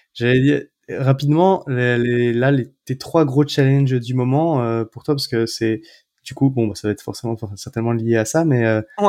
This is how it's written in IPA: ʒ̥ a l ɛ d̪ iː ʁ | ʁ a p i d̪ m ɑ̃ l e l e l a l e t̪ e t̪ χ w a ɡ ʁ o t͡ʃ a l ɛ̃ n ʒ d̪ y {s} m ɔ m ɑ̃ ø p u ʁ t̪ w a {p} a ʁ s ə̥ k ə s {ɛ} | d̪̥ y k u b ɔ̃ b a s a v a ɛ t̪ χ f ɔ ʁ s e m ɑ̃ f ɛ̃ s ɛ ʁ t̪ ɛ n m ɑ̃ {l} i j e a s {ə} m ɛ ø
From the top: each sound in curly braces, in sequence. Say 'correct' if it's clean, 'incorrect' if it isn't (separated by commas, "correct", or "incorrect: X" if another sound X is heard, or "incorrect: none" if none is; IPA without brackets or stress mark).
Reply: incorrect: none, correct, correct, correct, incorrect: a